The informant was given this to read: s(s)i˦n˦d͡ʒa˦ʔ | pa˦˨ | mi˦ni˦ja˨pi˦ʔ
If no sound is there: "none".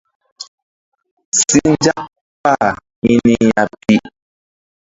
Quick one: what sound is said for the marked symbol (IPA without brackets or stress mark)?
s